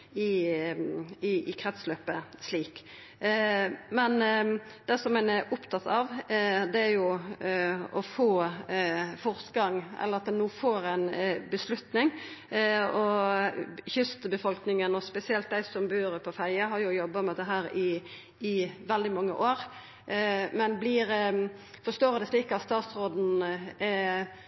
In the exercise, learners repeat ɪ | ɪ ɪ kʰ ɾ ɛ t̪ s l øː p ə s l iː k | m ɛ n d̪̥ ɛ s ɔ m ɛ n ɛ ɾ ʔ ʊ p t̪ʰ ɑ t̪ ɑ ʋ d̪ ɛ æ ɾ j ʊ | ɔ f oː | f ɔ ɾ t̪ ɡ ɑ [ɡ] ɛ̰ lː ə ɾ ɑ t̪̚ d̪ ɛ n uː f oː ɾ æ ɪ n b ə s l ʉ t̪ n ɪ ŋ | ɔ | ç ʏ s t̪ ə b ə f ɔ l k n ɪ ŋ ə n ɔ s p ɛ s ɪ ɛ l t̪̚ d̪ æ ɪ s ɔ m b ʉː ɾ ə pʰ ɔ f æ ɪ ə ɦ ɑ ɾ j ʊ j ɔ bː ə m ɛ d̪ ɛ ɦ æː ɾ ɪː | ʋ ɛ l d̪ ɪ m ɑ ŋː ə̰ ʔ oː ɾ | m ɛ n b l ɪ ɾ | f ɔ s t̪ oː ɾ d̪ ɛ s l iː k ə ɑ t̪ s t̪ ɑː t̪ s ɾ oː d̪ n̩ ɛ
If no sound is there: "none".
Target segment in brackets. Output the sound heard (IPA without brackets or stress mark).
ŋ